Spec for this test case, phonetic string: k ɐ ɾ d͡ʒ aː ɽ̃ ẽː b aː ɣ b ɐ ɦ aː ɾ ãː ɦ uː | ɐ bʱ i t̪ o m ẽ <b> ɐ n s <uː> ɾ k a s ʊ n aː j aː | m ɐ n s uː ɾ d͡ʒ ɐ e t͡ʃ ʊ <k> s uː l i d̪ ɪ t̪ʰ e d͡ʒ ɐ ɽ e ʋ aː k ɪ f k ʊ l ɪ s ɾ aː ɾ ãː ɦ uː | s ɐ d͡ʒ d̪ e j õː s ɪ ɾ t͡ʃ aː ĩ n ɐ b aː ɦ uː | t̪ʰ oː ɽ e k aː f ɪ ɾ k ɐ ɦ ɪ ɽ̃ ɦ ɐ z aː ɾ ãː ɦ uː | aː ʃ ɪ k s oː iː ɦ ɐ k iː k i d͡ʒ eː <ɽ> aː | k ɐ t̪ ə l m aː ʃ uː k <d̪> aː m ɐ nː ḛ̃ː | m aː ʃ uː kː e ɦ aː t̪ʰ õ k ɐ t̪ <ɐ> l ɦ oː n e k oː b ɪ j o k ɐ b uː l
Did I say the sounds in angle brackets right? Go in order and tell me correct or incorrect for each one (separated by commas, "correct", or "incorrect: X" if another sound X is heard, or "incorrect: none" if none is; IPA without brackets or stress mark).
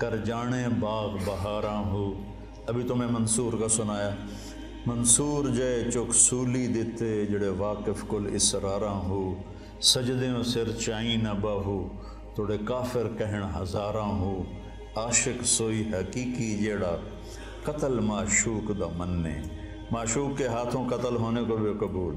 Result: incorrect: m, correct, correct, correct, correct, incorrect: ə